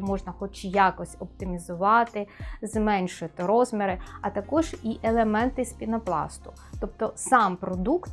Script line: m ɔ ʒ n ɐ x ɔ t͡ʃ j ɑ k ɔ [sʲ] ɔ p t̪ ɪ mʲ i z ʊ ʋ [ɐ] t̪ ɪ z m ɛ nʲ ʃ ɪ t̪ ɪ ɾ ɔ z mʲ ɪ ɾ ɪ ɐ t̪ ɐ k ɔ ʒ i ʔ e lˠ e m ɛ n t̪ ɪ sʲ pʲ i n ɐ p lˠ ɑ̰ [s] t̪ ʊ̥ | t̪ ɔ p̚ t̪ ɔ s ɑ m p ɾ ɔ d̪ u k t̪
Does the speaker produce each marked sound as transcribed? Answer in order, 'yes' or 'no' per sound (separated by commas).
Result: yes, no, yes